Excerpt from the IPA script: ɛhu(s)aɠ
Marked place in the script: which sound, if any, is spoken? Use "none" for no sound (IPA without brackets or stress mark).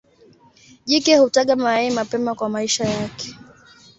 t